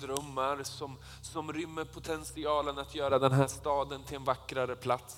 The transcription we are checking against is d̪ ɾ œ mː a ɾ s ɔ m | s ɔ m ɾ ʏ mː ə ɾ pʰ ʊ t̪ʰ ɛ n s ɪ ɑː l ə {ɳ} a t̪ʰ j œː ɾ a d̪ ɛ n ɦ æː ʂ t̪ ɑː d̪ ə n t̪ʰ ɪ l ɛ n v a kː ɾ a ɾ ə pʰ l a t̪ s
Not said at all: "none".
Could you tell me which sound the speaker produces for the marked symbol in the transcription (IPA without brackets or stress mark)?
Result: n